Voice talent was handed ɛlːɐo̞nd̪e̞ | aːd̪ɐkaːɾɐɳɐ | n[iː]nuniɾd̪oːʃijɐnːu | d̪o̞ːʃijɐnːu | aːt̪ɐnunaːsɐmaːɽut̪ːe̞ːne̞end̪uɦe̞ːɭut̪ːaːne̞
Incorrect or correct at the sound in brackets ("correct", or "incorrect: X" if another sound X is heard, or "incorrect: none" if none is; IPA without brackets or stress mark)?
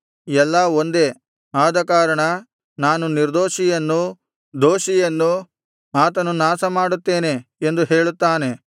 incorrect: aː